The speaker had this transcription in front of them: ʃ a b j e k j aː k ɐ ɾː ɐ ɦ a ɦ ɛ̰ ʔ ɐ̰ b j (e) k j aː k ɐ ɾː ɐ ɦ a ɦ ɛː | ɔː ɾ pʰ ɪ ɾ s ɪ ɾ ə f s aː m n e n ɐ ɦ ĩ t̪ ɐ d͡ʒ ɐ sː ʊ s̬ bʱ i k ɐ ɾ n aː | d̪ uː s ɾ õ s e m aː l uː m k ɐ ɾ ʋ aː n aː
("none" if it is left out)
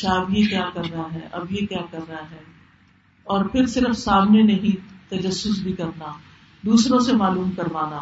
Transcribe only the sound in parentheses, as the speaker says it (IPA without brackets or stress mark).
e